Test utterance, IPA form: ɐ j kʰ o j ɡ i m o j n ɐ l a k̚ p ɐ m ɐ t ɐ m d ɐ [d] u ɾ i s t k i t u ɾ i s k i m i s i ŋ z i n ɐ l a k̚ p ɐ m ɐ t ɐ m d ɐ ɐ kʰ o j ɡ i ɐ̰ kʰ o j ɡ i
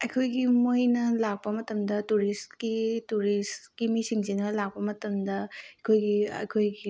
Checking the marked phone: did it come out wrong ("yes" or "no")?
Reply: yes